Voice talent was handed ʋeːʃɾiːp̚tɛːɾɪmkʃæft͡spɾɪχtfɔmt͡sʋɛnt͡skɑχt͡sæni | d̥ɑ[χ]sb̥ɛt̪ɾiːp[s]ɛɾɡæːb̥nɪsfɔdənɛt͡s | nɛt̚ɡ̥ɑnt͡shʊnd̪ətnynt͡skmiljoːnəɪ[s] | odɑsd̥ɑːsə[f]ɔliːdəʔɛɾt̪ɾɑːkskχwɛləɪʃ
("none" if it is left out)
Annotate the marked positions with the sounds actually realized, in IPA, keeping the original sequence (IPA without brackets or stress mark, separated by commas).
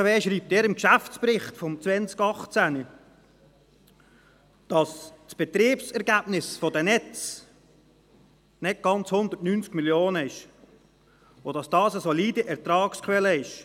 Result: s, s, ʃ, s